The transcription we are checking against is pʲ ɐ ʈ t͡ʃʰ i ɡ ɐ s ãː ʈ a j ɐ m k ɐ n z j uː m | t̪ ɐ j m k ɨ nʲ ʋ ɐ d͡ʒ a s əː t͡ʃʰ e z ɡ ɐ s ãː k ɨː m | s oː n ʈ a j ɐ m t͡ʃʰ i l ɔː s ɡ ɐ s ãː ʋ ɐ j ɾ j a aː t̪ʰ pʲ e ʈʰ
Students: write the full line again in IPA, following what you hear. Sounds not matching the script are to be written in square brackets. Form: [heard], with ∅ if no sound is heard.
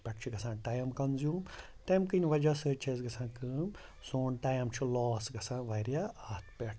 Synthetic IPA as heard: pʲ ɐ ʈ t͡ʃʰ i ɡ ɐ s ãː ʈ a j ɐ m k ɐ n z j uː m | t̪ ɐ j m k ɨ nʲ ʋ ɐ d͡ʒ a s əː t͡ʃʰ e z ɡ ɐ s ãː k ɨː m | s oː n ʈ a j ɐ m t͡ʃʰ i l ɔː s ɡ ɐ s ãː ʋ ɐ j ɾ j a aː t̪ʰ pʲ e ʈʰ